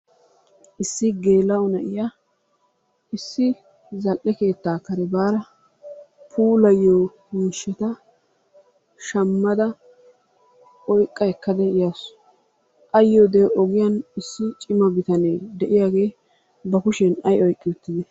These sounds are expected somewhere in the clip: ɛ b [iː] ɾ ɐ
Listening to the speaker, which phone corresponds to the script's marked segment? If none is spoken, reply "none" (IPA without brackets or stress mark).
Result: aː